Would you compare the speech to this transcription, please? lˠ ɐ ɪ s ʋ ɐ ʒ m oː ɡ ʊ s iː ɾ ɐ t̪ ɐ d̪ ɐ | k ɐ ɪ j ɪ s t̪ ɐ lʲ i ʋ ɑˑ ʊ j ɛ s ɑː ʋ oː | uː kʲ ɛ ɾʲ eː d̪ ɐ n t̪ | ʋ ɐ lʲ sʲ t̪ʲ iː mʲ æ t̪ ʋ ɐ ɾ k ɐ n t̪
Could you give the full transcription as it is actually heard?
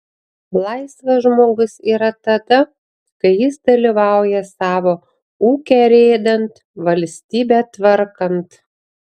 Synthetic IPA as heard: lˠ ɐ ɪ s ʋ ɐ ʒ m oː ɡ ʊ s iː ɾ ɐ t̪ ɐ d̪ ɐ | k ɐ ɪ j ɪ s d̪ ɐ lʲ i ʋ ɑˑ ʊ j ɛ s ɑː ʋ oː | uː kʲ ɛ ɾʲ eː d̪ ɐ n t̪ | ʋ ɐ lʲ sʲ t̪ʲ iː bʲ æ t̪ ʋ ɐ ɾ k ɐ n t̪

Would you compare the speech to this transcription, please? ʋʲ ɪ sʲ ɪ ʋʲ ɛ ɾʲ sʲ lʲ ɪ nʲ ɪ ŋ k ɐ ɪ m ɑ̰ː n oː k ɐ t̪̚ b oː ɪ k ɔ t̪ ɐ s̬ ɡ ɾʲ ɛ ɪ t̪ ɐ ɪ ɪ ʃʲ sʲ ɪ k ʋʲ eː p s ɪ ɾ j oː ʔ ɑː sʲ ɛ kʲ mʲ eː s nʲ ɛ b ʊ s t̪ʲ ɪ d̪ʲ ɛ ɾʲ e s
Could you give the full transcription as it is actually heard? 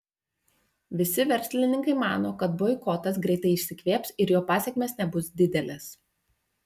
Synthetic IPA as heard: ʋʲ ɪ sʲ ɪ ʋʲ ɛ ɾʲ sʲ lʲ ɪ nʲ ɪ ŋ k ɐ ɪ m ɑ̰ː n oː k ɐ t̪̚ b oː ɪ k ɔ t̪ ɐ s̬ ɡ ɾʲ ɛ ɪ t̪ ɐ ɪ ɪ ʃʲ sʲ ɪ k ʋʲ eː p s ɪ ɾ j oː p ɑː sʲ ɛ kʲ mʲ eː s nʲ ɛ b ʊ s d̪ʲ ɪ d̪ʲ ɛ lʲ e s

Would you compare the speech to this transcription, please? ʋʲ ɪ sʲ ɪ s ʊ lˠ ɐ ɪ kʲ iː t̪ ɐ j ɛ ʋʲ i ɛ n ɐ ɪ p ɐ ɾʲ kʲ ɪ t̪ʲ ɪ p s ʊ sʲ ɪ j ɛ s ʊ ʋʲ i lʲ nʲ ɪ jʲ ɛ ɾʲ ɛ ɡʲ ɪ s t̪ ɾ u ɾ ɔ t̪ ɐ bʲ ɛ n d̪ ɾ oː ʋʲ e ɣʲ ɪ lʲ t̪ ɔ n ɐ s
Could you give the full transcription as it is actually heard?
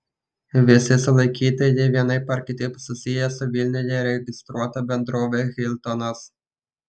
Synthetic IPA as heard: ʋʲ ɪ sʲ ɪ s ʊ lˠ ɐ ɪ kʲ iː t̪ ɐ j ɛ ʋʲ i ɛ n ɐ ɪ p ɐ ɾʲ kʲ ɪ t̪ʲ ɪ p s ʊ sʲ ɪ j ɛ s ʊ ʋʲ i lʲ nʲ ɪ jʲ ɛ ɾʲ ɛ ɡʲ ɪ s t̪ ɾ u ɔ t̪ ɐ bʲ ɛ n d̪ ɾ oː ʋʲ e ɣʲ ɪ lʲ t̪ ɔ n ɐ s

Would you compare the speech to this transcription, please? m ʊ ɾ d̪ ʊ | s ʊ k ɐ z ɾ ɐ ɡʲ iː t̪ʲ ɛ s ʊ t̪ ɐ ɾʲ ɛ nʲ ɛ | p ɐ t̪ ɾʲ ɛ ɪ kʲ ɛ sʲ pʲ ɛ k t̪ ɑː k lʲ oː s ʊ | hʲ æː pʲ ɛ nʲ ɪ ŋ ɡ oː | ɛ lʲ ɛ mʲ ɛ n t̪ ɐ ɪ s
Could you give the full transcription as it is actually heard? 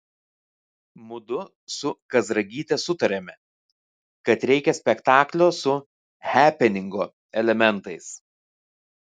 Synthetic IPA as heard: m ʊ d̪ ʊ | s ʊ k ɐ z ɾ ɐ ɡʲ iː t̪ʲ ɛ s ʊ t̪ ɐ ɾʲ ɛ mʲ ɛ | k ɐ t̪ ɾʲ ɛ ɪ kʲ ɛ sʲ pʲ ɛ k t̪ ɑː k lʲ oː s ʊ | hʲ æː pʲ ɛ nʲ ɪ ŋ ɡ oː | ɛ lʲ ɛ mʲ ɛ n t̪ ɐ ɪ s

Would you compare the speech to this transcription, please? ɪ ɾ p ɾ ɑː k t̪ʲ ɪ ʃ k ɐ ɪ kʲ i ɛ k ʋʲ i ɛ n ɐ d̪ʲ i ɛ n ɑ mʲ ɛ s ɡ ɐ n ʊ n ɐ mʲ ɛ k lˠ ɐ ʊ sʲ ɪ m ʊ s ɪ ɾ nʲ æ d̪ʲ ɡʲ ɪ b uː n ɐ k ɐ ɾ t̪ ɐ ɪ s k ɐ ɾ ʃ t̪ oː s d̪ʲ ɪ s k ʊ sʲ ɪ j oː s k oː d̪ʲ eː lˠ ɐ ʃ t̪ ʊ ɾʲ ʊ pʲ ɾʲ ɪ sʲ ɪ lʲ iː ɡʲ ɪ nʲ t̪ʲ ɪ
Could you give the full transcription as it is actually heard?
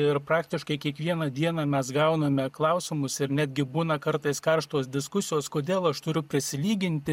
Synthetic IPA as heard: ɪ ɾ p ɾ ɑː k t̪ʲ ɪ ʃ k ɐ ɪ kʲ i ɛ k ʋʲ i ɛ n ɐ d̪ʲ i ɛ n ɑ mʲ ɛ s ɡ ɐ ʊ n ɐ mʲ ɛ k lˠ ɐ ʊ sʲ ɪ m ʊ s ɪ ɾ nʲ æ d̪ʲ ɡʲ ɪ b uː n ɐ k ɐ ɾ t̪ ɐ ɪ s k ɐ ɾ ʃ t̪ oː s d̪ʲ ɪ s k ʊ sʲ ɪ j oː s k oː d̪ʲ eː lˠ ɐ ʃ t̪ ʊ ɾʲ ʊ pʲ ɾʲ ɪ sʲ ɪ lʲ iː ɡʲ ɪ nʲ t̪ʲ ɪ

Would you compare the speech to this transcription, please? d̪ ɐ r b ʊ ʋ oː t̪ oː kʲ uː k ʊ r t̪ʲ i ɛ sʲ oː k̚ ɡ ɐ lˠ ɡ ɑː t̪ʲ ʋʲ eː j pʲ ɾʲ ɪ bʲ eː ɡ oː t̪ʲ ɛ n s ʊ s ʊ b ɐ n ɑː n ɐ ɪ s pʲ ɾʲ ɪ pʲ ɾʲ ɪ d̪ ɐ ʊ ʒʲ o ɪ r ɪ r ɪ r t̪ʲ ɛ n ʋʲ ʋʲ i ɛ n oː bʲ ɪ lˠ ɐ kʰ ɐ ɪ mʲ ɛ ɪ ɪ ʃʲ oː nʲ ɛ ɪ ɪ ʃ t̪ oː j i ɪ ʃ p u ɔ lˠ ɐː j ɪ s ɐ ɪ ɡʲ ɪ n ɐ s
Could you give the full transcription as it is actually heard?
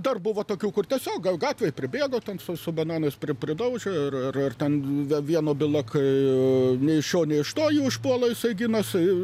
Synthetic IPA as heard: d̪ ɐ r b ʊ ʋ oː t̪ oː kʲ uː k ʊ r t̪ʲ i ɛ sʲ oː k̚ ɡ ɐ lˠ ɡ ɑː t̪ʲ ʋʲ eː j pʲ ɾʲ ɪ bʲ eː ɡ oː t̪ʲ ɛ n s ʊ s ʊ b ɐ n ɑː n ɐ ɪ s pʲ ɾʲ ɪ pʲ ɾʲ ɪ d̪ ɐ ʊ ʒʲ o ɪ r ɪ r ɪ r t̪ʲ ɛ n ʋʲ ʋʲ i ɛ n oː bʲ ɪ lˠ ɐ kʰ ɐ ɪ nʲ ɛ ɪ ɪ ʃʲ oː nʲ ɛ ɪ ɪ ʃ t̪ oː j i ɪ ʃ p u ɔ lˠ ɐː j ɪ s ɐ ɪ ɡʲ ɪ n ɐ s

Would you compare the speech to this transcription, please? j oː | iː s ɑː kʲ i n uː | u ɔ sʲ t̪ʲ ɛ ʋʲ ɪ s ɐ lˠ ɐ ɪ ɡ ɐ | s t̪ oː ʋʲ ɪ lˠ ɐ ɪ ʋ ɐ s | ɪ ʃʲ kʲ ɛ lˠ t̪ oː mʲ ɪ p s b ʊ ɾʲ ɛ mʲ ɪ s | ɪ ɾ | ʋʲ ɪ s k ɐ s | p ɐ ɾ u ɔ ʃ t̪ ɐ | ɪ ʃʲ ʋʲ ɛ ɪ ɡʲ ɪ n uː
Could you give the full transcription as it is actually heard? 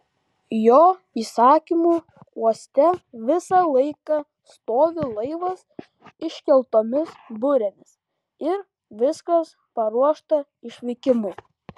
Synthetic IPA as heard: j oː | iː s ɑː kʲ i m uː | u ɔ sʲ t̪ʲ ɛ ʋʲ ɪ s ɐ lˠ ɐ ɪ k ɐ | s t̪ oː ʋʲ ɪ lˠ ɐ ɪ ʋ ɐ s | ɪ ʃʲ kʲ ɛ lˠ t̪ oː mʲ ɪ s b ʊ ɾʲ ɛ mʲ ɪ s | ɪ ɾ | ʋʲ ɪ s k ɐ s | p ɐ ɾ u ɔ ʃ t̪ ɐ | ɪ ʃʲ ʋʲ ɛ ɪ kʲ ɪ m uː

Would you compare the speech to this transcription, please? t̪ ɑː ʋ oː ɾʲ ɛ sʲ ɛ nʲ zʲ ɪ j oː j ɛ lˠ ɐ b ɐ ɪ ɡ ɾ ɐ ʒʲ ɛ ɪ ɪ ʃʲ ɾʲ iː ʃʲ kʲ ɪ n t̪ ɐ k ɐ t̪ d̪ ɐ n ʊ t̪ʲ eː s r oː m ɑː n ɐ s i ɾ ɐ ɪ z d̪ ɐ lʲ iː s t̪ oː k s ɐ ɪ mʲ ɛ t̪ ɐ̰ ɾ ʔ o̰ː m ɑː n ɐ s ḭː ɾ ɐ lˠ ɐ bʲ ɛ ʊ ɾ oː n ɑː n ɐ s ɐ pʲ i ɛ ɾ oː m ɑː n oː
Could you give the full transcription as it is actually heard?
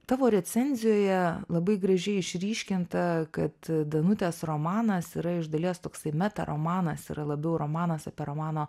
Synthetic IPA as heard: t̪ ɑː ʋ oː ɾʲ ɛ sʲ ɛ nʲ zʲ ɪ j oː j ɛ lˠ ɐ b ɐ ɪ ɡ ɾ ɐ ʒʲ ɛ ɪ ɪ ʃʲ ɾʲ iː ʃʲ kʲ ɪ n t̪ ɐ k ɐ t̪ d̪ ɐ n ʊ t̪ʲ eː s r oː m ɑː n ɐ s i ɾ ɐ ɪ ʒ d̪ ɐ lʲ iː s t̪ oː k s ɐ ɪ mʲ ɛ t̪ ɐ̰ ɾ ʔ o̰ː m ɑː n ɐ s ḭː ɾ ɐ lˠ ɐ bʲ ɛ ʊ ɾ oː m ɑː n ɐ s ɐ pʲ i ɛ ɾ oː m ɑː n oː

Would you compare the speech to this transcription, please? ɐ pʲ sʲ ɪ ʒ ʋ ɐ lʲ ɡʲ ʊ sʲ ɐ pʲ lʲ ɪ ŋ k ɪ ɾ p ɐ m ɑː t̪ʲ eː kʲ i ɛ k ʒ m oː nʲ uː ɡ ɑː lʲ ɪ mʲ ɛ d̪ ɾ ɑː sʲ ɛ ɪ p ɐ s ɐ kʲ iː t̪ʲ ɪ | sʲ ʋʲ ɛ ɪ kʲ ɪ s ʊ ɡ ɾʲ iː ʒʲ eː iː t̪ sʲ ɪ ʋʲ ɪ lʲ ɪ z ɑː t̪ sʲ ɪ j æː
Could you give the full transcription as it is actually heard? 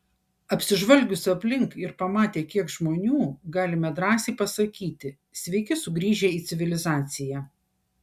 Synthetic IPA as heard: ɐ pʲ sʲ ɪ ʒ ʋ ɐ lʲ ɡʲ ʊ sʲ ɐ pʲ lʲ ɪ ŋ k ɪ ɾ p ɐ m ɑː t̪ʲ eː kʲ i ɛ k ʒ m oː nʲ uː ɡ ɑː lʲ ɪ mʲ ɛ d̪ ɾ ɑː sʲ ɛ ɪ p ɐ s ɐ kʲ iː t̪ʲ ɪ | sʲ ʋʲ ɛ ɪ kʲ ɪ s ʊ ɡ ɾʲ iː ʒʲ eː iː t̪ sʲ ɪ ʋʲ ɪ lʲ ɪ z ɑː t̪ sʲ ɪ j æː

